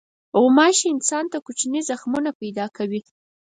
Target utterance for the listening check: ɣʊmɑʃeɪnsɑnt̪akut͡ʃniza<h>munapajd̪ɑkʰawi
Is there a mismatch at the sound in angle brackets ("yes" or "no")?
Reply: yes